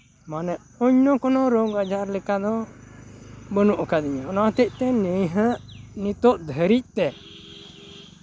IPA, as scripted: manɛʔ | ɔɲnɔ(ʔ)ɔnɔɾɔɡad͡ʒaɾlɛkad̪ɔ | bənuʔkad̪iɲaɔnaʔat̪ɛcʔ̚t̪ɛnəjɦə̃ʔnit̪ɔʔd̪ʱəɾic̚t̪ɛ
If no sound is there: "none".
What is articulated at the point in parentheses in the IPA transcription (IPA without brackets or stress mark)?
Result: k